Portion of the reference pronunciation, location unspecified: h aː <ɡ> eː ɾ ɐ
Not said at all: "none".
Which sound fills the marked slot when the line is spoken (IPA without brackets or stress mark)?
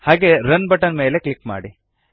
ɡ